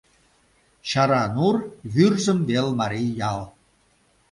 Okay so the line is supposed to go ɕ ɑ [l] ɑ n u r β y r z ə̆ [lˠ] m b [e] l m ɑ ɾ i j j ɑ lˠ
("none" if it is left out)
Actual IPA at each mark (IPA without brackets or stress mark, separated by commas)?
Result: ɾ, none, e